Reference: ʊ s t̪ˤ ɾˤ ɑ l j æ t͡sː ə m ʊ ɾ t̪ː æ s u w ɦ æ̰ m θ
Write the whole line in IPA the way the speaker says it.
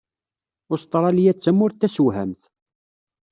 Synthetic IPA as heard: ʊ s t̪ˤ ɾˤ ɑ l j æ t͡sː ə m ʊ ɾ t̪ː æ s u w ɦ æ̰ m θ